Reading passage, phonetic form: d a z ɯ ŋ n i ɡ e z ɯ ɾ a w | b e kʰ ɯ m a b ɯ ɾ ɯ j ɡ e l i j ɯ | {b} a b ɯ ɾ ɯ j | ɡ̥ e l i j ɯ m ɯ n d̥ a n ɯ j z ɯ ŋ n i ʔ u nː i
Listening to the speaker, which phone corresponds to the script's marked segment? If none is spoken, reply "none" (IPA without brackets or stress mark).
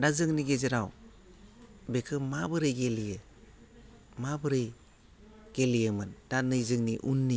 m